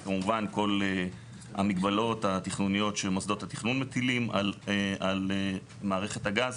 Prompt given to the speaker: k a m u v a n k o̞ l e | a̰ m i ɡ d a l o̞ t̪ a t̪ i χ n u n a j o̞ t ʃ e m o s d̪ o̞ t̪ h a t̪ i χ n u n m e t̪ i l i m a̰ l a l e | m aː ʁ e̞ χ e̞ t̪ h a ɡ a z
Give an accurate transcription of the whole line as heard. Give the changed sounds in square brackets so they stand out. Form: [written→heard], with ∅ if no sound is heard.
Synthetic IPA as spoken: k a m u v a n k o̞ l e | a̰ m i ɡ [d→b] a l o̞ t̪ a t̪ i χ n u n [a→i] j o̞ t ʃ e m o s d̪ o̞ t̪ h a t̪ i χ n u n m e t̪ i l i m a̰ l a l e | m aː ʁ e̞ χ e̞ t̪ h a ɡ a z